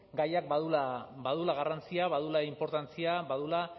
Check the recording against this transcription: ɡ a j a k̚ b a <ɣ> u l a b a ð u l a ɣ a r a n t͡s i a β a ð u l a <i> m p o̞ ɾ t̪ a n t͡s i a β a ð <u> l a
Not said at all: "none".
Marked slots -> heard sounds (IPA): ð, i, u

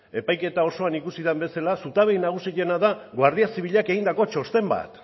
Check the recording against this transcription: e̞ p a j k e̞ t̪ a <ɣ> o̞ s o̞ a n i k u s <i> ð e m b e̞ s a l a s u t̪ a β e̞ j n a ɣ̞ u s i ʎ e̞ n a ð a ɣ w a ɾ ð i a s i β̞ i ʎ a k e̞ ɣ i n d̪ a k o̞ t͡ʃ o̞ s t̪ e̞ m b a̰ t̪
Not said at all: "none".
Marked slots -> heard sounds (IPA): none, i

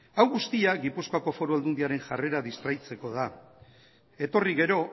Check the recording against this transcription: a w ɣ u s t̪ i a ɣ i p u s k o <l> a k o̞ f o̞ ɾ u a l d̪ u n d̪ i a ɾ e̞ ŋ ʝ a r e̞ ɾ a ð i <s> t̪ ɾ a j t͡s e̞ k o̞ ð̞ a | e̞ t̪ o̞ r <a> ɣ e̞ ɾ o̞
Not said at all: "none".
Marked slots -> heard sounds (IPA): none, s, i

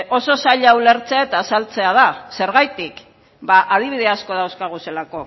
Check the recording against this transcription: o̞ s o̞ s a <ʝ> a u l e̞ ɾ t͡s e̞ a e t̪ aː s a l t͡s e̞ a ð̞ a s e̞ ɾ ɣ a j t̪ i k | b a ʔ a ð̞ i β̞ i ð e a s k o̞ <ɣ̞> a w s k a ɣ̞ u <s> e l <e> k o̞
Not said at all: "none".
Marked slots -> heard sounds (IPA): ʎ, ð̞, s, a

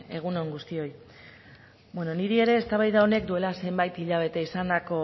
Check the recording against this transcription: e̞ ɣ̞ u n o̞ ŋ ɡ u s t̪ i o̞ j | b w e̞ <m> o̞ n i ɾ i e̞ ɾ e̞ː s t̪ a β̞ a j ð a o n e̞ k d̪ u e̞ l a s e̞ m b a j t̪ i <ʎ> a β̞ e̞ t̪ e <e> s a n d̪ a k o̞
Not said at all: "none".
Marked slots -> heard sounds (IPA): n, ʎ, i

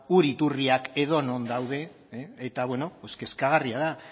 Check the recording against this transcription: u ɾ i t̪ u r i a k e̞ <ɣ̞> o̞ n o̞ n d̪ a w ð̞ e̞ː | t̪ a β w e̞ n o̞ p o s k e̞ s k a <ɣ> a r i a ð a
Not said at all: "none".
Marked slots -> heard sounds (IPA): ð̞, ɣ

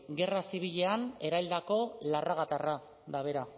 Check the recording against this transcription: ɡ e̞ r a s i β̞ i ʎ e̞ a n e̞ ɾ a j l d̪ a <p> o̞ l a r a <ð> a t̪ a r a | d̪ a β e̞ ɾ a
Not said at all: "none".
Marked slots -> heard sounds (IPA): k, ɣ

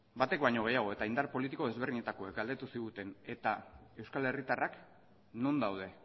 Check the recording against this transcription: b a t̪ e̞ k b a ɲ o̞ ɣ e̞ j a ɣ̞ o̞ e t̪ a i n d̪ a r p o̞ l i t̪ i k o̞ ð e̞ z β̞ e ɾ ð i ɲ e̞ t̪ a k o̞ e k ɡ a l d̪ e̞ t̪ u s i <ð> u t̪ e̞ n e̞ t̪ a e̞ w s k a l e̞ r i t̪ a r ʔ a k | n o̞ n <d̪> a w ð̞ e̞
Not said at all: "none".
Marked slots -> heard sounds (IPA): ɣ, d̪

